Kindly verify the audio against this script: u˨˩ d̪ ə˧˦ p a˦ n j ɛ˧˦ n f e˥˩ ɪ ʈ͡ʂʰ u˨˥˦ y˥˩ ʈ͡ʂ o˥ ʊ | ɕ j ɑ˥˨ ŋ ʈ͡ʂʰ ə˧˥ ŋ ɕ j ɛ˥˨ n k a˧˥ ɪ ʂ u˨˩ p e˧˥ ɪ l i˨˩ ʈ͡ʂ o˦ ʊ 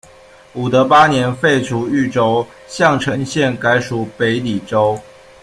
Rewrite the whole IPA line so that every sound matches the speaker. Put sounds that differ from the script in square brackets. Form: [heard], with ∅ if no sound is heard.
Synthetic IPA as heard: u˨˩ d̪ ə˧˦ p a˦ n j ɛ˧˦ n f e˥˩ ɪ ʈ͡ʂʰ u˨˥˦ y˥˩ ʈ͡ʂ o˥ ʊ | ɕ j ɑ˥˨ ŋ ʈ͡ʂʰ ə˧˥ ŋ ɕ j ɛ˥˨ n k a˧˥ ɪ ʂ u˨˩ p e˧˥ ɪ l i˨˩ ʈ͡ʂ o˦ ʊ